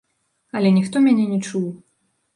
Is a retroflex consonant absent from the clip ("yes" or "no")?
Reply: no